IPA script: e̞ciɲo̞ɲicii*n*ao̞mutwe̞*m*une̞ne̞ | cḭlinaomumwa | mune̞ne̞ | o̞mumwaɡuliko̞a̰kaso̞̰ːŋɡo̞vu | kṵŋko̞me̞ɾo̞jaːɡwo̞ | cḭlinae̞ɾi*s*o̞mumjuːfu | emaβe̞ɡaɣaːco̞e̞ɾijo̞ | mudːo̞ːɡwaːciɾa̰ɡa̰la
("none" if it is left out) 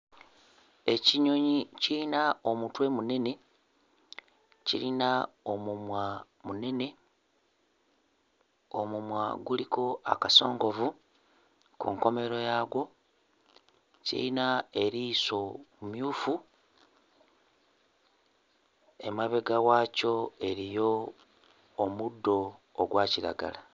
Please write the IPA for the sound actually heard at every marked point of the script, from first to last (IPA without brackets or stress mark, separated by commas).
n, m, s